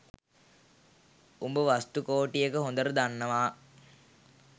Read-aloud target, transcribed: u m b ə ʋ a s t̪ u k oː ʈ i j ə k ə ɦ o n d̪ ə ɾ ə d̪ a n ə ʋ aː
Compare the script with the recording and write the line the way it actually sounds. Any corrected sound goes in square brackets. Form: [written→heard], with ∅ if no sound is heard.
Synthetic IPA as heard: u m b ə ʋ a s t̪ u k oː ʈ i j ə k ə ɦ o n d̪ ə ɾ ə d̪ a [n→nː] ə ʋ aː